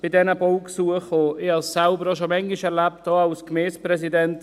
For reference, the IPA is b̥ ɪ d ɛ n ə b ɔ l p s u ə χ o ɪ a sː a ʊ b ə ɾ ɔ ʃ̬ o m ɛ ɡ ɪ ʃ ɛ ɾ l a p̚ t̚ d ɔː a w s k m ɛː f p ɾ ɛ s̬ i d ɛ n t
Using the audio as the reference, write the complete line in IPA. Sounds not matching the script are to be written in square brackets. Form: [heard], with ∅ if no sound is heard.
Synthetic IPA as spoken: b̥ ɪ d ɛ n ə b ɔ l [k] s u ə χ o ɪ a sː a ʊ b ə ɾ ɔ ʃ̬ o m ɛ [ŋ] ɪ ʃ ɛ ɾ l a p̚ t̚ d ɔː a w s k m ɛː [s] p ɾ ɛ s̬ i d ɛ n t